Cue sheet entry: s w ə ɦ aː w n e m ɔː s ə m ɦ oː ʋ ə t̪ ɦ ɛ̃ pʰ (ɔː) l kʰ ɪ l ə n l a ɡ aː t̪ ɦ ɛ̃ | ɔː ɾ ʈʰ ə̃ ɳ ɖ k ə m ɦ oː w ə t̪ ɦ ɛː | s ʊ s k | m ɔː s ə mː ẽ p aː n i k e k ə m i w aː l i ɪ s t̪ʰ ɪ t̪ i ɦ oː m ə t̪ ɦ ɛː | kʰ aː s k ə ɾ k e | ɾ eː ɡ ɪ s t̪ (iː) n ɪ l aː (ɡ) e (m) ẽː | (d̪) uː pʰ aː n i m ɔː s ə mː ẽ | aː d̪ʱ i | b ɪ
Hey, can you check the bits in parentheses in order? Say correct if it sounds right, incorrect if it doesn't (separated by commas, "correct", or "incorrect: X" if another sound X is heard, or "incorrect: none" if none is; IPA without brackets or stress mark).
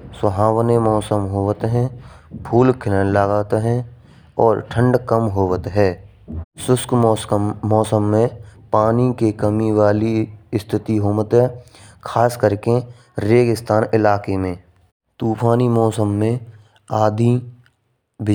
incorrect: uː, incorrect: aː, incorrect: k, correct, incorrect: t̪